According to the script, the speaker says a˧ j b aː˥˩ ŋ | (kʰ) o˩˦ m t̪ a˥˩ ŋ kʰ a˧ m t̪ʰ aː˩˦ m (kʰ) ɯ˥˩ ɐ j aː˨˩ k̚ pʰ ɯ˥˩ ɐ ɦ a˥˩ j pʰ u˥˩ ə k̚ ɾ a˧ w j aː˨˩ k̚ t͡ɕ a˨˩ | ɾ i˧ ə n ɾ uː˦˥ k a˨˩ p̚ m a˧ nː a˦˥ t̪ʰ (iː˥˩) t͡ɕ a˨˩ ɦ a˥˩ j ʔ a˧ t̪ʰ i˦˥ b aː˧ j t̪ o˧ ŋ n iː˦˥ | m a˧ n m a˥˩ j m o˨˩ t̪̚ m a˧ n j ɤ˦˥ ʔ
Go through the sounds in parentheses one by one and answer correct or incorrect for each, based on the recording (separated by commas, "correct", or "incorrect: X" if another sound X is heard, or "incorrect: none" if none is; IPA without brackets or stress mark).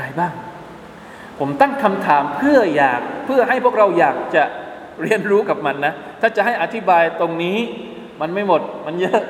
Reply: incorrect: pʰ, incorrect: pʰ, incorrect: aː˥˩